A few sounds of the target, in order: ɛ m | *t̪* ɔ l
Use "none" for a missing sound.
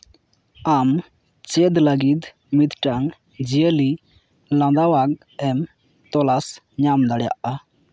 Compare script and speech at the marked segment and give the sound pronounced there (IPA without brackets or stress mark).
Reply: t̪